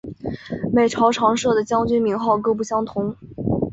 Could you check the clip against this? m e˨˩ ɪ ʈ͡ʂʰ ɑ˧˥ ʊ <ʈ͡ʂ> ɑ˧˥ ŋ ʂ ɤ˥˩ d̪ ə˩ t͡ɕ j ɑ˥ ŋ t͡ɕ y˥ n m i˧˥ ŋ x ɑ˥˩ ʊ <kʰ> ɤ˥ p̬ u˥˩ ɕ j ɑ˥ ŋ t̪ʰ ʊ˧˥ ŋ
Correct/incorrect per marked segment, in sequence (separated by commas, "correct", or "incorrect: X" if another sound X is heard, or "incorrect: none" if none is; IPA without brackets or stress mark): incorrect: ʈ͡ʂʰ, incorrect: k